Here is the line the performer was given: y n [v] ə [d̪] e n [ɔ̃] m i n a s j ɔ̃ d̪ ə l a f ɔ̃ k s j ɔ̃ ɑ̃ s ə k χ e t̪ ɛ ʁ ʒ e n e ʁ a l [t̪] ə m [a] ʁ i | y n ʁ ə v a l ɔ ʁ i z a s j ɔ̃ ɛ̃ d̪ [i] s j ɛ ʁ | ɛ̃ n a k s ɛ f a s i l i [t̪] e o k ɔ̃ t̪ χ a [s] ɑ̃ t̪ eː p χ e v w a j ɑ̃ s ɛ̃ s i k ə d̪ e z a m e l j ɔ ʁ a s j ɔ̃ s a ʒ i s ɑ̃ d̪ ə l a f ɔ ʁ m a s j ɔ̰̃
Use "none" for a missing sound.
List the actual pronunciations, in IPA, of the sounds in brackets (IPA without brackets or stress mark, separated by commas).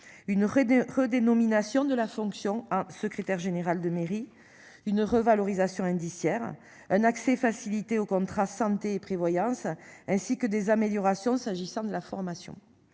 ʁ, d̪, ɔ, d̪, e, i, t̪, s